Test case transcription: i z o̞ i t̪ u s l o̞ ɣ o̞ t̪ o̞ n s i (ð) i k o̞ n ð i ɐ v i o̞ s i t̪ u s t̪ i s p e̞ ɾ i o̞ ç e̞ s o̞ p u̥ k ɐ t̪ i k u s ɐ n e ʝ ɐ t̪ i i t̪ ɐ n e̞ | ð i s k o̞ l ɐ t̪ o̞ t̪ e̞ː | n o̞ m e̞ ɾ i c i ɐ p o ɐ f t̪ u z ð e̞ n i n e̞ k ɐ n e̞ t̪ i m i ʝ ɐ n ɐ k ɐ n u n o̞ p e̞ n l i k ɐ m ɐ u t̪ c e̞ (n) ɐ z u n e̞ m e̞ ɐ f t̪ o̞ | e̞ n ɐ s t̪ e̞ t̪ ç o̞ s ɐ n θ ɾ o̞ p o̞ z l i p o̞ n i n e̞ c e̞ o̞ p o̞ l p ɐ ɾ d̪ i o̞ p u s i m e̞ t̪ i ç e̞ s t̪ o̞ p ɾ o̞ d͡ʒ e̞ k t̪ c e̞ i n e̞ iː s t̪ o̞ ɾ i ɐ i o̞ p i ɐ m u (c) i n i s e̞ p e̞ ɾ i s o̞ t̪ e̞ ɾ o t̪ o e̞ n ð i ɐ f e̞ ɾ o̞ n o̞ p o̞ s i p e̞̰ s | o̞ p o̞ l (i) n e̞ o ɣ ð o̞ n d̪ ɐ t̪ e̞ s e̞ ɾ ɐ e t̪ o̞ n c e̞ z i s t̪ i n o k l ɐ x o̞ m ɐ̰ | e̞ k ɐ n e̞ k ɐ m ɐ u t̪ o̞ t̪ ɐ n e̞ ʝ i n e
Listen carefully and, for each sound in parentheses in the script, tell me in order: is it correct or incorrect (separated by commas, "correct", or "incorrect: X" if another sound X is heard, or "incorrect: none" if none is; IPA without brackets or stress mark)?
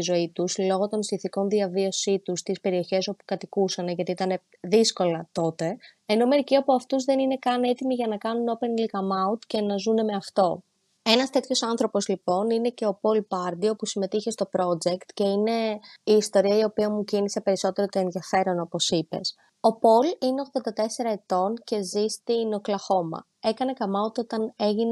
incorrect: θ, correct, correct, correct